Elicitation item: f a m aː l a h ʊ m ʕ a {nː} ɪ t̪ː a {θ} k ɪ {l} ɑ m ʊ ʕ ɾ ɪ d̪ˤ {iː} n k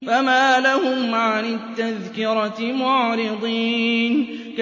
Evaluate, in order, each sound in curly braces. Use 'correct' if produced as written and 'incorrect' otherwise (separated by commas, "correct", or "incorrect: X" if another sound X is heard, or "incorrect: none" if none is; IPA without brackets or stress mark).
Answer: incorrect: n, incorrect: ð, incorrect: ɾ, correct